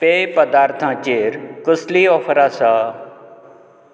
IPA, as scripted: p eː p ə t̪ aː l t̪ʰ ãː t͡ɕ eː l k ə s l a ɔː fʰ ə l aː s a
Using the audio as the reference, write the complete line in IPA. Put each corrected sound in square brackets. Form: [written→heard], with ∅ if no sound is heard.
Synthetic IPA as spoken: p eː p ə [t̪→d̪] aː [l→ɾ] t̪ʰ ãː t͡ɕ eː [l→ɾ] k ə s l [a→i] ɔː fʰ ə [l→ɾ] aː s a